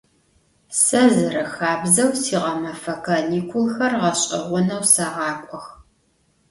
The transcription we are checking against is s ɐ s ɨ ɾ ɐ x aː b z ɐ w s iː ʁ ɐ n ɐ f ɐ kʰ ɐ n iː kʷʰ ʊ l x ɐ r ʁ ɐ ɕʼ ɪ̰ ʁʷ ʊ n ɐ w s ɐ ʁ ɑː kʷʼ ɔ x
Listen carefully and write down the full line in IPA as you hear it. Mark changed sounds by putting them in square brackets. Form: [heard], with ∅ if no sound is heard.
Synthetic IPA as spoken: s ɐ [z] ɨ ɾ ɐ x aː b z ɐ w s iː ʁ ɐ [m] ɐ f ɐ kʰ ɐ n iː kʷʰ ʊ l x ɐ r ʁ ɐ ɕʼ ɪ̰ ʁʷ ʊ n ɐ w s ɐ ʁ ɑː kʷʼ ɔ x